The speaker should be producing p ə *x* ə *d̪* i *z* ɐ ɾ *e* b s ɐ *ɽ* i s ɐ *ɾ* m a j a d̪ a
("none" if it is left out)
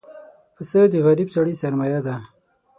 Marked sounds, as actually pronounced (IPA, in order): s, d̪, ɣ, i, ɽ, ɾ

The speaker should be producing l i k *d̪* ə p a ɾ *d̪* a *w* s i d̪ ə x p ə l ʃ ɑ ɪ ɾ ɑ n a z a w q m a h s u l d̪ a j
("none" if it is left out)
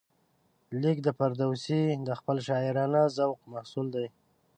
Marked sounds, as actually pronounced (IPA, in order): d̪, d̪, w

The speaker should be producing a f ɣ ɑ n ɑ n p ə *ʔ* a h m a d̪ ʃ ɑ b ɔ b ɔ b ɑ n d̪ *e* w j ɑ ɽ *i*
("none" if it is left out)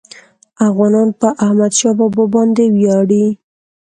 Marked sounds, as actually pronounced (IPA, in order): ʔ, e, i

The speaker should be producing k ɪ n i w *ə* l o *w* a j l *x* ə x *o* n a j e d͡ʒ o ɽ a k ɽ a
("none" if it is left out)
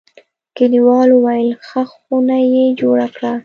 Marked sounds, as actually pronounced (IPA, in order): ɑ, w, x, u

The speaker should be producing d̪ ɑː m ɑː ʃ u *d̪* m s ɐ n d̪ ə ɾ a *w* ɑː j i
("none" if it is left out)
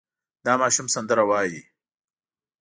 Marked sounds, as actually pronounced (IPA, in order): none, w

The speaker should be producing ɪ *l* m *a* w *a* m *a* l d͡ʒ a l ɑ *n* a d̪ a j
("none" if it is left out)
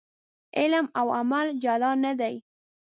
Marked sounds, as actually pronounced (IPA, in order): l, a, a, a, n

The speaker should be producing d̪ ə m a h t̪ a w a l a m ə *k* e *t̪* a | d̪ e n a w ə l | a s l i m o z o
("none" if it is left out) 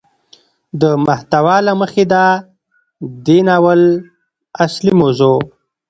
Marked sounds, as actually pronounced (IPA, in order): x, d̪

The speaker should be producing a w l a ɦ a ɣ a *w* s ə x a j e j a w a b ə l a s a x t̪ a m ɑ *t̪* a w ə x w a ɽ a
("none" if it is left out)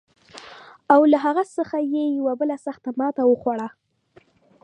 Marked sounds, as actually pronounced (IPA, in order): none, t̪

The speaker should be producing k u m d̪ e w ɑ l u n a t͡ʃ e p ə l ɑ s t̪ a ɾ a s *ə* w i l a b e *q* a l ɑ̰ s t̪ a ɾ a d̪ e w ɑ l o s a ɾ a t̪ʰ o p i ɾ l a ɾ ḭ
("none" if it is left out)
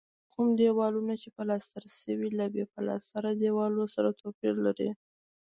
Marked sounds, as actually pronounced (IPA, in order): ə, p

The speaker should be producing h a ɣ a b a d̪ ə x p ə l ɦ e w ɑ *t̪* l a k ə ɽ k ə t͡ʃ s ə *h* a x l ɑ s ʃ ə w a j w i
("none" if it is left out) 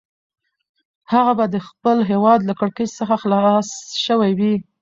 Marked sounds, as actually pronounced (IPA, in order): d̪, x

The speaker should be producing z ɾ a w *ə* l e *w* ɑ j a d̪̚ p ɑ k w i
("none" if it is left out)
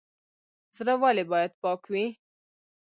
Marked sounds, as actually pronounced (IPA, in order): a, b

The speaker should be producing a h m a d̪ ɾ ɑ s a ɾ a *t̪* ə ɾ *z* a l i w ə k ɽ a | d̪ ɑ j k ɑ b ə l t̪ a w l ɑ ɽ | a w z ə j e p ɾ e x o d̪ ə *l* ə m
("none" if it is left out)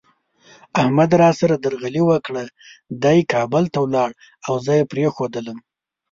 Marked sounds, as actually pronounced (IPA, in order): d̪, ɣ, l

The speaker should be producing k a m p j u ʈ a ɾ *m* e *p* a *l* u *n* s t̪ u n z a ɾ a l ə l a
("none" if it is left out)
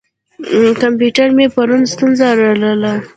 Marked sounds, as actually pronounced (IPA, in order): m, p, ɾ, n

